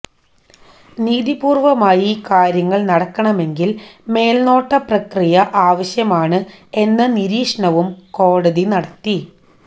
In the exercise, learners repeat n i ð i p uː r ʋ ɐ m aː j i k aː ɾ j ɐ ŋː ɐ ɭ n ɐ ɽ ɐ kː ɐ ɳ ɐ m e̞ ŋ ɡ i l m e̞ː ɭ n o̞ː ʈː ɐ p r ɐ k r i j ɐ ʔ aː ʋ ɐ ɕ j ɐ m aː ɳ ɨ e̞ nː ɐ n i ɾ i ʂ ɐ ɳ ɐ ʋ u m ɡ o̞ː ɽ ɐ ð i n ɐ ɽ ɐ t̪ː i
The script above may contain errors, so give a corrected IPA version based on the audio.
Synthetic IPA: n iː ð i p uː r ʋ ɐ m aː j i k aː ɾ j ɐ ŋː ɐ ɭ n ɐ ɽ ɐ kː ɐ ɳ ɐ m e̞ ŋ ɡ i l m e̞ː l n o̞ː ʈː ɐ p r ɐ k r i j ɐ ʔ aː ʋ ɐ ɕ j ɐ m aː ɳ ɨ e̞ nː ɐ n i ɾ iː ʂ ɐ ɳ ɐ ʋ u m k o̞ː ɽ ɐ ð i n ɐ ɽ ɐ t̪ː i

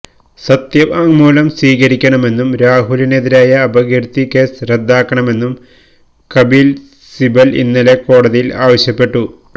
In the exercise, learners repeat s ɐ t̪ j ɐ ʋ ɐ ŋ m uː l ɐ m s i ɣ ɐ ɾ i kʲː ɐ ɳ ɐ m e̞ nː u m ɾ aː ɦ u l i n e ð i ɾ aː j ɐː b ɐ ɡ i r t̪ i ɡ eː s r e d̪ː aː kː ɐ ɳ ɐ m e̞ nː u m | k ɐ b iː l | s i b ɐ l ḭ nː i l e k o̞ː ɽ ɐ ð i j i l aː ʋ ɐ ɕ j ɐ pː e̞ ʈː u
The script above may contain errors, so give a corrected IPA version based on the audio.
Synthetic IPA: s ɐ t̪ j ɐ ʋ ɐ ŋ m uː l ɐ m s iː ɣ ɐ ɾ i kʲː ɐ ɳ ɐ m e̞ nː u m ɾ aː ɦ u l i n e ð i ɾ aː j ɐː b ɐ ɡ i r t̪ i k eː s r e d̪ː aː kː ɐ ɳ ɐ m e̞ nː u m | k ɐ b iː l | s i b ɐ l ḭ nː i l e k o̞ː ɽ ɐ ð i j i l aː ʋ ɐ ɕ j ɐ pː e̞ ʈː u

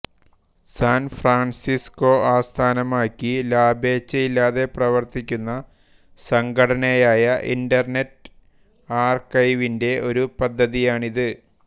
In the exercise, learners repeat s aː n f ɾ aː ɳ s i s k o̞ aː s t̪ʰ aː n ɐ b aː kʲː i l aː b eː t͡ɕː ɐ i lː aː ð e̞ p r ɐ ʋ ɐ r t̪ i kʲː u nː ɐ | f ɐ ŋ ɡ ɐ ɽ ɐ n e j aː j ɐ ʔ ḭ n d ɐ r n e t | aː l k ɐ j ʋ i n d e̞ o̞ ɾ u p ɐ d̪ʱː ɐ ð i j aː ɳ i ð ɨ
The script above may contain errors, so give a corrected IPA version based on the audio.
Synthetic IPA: s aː n f r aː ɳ s i s k o̞ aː s t̪ʰ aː n ɐ m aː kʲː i l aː b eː t͡ɕː ɐ i lː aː ð e̞ p r ɐ ʋ ɐ r t̪ i kʲː u nː ɐ | s ɐ ŋ ɡ ɐ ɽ ɐ n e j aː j ɐ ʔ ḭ n d ɐ r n e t | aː r k ɐ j ʋ i n d e̞ o̞ ɾ u p ɐ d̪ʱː ɐ ð i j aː ɳ i ð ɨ

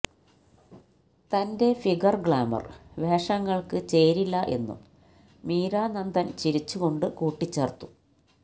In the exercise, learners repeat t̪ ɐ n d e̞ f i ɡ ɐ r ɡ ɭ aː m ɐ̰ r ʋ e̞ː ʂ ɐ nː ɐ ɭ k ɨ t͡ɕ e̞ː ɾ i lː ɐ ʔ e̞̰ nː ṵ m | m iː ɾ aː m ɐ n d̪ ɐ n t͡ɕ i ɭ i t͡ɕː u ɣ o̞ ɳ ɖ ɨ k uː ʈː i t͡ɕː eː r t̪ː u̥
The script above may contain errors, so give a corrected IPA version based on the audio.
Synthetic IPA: t̪ ɐ n d e̞ f i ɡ ɐ r ɡ ɭ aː m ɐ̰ r ʋ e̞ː ʂ ɐ ŋː ɐ ɭ k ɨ t͡ɕ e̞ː ɾ i lː ɐ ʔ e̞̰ nː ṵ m | m iː ɾ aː n ɐ n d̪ ɐ n t͡ɕ i ɾ i t͡ɕː u ɣ o̞ ɳ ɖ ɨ k uː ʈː i t͡ɕː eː r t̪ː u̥

